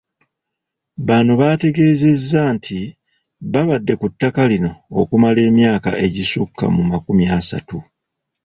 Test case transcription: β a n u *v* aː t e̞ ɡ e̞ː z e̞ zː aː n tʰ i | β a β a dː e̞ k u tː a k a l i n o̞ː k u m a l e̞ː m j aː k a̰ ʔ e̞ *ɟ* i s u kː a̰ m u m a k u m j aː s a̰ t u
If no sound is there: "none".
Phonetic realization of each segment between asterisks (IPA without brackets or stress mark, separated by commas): β, ɟ